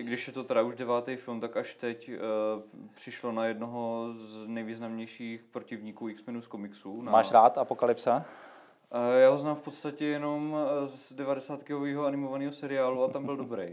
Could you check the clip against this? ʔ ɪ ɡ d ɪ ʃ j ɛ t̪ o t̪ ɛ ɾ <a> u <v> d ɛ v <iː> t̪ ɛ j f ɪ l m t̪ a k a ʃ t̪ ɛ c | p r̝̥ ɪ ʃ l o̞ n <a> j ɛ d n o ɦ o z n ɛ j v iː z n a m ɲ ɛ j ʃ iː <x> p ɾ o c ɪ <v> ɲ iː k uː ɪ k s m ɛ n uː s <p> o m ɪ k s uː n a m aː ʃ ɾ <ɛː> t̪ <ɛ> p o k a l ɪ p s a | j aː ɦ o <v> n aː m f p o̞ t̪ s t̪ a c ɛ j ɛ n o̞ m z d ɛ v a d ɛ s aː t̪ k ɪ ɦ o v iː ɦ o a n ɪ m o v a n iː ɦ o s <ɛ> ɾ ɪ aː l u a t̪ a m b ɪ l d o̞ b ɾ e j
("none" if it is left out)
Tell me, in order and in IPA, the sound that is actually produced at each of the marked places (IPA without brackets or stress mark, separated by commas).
a, ʒ, aː, a, x, v, k, aː, a, z, ɛ